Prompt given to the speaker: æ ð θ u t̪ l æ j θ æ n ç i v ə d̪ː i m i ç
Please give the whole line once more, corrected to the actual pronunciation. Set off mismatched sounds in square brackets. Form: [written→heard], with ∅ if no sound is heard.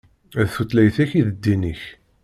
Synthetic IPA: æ ð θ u t̪ l æ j θ æ [n→∅] ç i [v→ð] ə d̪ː i [m→n] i ç